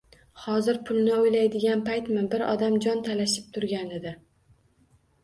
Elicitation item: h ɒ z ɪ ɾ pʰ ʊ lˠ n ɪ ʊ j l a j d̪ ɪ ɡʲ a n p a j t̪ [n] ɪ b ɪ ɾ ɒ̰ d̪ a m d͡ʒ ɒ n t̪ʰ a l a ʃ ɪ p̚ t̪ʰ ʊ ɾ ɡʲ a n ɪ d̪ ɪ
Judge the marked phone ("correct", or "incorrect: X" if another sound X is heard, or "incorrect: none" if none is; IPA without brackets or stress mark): incorrect: m